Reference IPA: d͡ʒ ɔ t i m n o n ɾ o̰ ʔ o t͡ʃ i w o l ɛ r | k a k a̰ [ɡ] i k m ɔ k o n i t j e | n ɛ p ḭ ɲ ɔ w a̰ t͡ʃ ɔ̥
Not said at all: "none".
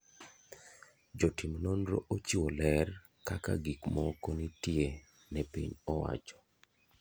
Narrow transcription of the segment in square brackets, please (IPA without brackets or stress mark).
ɡ